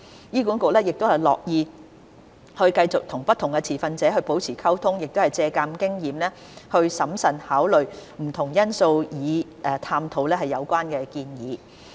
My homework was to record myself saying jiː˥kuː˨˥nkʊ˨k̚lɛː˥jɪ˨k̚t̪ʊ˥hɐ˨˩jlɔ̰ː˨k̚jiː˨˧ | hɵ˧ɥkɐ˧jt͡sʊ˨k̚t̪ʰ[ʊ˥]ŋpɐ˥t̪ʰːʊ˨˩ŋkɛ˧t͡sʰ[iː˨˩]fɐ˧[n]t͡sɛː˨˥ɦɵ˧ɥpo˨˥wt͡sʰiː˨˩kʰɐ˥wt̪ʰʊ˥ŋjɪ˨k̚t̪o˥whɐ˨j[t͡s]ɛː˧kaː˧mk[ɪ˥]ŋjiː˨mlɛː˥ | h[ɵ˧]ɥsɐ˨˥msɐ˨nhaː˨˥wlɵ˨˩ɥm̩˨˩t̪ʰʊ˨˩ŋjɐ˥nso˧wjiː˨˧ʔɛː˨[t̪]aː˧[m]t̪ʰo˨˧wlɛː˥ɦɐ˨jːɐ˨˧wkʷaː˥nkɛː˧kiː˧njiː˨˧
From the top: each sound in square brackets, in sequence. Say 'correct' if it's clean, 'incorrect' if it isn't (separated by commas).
incorrect, correct, correct, correct, correct, correct, incorrect, correct